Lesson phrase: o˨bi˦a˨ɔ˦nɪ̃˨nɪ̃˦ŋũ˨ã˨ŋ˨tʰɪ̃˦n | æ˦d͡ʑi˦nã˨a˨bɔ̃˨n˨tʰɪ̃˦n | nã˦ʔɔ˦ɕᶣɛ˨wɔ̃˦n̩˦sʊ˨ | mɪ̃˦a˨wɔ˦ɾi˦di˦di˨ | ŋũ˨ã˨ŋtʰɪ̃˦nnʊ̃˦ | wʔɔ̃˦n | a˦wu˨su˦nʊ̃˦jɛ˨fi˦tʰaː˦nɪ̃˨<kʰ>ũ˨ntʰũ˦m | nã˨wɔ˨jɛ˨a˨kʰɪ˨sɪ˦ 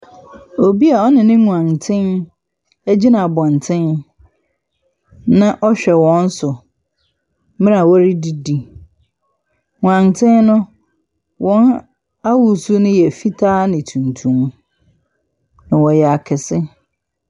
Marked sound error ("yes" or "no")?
yes